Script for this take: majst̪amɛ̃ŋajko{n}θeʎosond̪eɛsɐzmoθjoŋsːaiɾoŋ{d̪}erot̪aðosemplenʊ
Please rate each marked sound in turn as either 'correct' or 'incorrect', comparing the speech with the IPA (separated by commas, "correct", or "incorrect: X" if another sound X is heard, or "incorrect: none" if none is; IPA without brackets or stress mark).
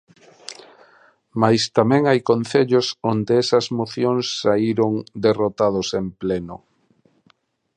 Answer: correct, correct